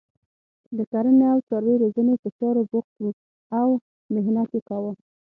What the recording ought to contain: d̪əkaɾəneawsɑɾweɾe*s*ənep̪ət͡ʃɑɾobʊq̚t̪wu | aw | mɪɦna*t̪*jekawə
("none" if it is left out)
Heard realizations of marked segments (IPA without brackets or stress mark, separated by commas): z, t̪